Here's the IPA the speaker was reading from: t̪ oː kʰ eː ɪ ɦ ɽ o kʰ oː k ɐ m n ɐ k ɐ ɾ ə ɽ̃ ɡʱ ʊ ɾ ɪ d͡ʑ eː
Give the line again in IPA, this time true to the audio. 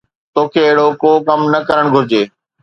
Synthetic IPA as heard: t̪ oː kʰ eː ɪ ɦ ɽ o k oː k ɐ m n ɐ k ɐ ɾ ə ɽ̃ ɡʱ ʊ ɾ ɪ d͡ʑ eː